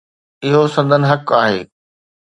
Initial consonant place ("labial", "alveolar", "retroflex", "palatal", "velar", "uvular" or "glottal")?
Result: glottal